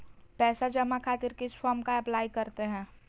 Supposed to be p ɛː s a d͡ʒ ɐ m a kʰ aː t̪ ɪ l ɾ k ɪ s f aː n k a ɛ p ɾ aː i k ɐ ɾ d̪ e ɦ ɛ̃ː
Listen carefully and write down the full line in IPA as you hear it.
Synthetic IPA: p ɛː s a d͡ʒ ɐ m a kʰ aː t̪ ɪ ɾ k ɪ s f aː m k a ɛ p l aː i k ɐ ɾ t̪ e ɦ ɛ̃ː